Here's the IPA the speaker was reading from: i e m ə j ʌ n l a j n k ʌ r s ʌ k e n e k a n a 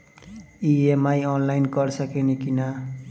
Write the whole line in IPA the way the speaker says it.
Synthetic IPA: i e m a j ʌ n l a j n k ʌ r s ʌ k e n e k i n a